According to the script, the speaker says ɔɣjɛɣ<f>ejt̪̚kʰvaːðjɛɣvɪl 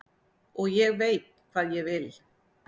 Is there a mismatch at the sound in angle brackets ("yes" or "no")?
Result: yes